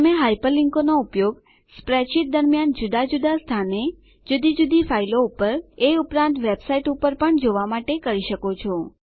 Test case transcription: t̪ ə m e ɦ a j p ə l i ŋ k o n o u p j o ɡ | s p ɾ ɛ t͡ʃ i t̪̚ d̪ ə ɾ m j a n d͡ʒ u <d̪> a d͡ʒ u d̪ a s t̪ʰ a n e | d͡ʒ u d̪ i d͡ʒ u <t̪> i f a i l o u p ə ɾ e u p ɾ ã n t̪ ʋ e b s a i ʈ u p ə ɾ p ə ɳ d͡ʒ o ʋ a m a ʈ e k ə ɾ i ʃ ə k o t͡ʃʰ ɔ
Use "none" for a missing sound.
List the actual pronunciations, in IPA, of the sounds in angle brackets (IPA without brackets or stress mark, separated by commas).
d̪, d̪